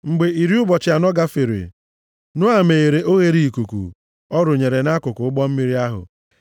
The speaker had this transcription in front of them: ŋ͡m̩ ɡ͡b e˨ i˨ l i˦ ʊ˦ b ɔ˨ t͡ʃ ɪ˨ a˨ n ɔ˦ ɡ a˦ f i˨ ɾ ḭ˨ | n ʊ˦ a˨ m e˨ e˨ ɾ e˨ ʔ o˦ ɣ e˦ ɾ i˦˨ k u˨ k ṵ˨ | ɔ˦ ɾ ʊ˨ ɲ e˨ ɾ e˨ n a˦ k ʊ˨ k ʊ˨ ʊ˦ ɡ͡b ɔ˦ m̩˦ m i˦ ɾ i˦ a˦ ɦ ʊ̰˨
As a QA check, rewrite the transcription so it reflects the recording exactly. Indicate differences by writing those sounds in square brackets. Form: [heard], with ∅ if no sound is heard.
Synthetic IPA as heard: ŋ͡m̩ ɡ͡b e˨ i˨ [ɾ] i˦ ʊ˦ b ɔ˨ t͡ʃ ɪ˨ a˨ n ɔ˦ ɡ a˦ f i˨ ɾ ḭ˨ | n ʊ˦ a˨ m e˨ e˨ ɾ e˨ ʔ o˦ ɣ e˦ ɾ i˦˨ k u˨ k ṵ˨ | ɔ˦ ɾ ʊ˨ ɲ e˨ ɾ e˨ n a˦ k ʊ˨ k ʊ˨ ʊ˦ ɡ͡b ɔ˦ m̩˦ m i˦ ɾ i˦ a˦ ɦ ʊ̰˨